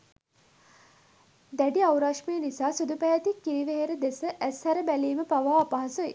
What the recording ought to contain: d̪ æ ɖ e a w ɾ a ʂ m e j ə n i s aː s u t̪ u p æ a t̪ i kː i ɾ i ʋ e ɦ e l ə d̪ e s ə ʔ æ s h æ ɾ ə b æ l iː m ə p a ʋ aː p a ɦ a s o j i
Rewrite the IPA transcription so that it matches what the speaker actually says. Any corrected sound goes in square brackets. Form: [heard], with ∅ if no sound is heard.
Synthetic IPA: d̪ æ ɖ [i] a w ɾ a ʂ m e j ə n i s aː s u [d̪] u p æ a t̪ i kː i ɾ i ʋ e ɦ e [ɾ] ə d̪ e s ə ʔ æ s h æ ɾ ə b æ l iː m ə p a ʋ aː p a ɦ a s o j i